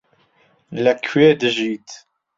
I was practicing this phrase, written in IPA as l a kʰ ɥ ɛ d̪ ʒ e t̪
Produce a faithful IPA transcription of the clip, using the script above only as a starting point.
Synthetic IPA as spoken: l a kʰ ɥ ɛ d̪ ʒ i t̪